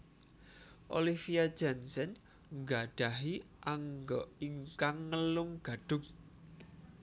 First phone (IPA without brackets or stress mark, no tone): ʔ